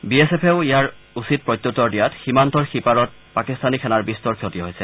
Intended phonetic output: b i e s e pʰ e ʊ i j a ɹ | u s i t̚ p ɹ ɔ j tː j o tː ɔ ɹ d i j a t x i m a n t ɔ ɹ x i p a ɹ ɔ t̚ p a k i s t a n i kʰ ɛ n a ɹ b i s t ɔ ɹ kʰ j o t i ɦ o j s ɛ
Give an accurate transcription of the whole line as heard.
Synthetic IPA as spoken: b i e s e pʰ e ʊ i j a ɹ | u s i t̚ p ɹ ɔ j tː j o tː ɔ ɹ d i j a t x i m a n t ɔ ɹ x i p a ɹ ɔ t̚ p a k i s t a n i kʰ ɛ n a ɹ b i s t ɔ ɹ kʰ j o t i ɦ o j s ɛ